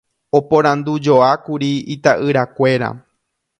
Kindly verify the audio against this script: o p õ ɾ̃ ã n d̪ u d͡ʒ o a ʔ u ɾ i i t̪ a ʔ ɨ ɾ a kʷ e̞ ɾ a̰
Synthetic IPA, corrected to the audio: o p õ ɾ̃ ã n d̪ u d͡ʒ o a k u ɾ i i t̪ a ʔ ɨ ɾ a kʷ e̞ ɾ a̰